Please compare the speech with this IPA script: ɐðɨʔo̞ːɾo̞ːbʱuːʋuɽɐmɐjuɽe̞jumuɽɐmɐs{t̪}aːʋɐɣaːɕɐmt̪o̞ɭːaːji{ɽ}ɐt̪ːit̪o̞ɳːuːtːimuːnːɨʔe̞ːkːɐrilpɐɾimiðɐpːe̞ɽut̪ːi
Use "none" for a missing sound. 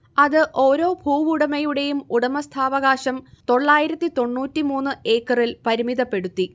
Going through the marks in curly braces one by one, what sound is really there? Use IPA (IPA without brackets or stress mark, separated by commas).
t̪ʰ, ɾ